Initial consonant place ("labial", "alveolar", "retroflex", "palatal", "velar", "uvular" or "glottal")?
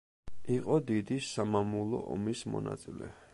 uvular